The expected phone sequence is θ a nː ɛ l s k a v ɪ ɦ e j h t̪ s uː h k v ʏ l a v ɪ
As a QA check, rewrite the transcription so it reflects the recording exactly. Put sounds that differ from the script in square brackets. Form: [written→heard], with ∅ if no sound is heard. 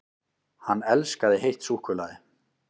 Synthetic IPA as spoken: [θ→h] a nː ɛ l s k a [v→ð] ɪ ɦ e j h t̪ s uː h k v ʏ l a [v→ð] ɪ